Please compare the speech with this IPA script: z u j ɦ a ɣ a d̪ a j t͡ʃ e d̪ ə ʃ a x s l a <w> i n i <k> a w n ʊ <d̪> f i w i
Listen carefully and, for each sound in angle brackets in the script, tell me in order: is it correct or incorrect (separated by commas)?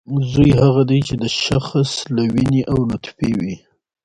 correct, incorrect, incorrect